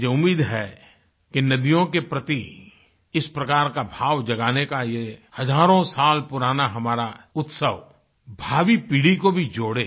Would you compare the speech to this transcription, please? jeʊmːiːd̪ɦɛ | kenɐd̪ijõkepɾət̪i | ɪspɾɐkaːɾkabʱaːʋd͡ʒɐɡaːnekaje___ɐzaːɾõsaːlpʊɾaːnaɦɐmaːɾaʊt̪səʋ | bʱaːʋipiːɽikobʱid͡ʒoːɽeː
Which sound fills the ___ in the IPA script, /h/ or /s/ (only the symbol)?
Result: h